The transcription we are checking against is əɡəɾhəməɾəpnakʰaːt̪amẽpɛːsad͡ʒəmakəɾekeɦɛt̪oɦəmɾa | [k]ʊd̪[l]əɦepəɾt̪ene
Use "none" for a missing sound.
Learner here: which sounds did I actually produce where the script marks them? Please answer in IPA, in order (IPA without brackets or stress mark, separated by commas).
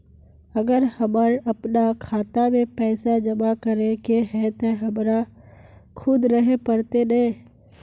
kʰ, ɾ